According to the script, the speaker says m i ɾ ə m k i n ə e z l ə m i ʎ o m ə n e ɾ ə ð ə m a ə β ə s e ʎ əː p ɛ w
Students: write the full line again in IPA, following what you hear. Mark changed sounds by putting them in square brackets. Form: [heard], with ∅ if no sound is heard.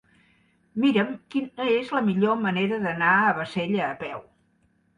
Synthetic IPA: m i ɾ ə m k i n ə e z l ə m i ʎ o m ə n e ɾ ə ð ə [n] a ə β ə s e ʎ əː p ɛ w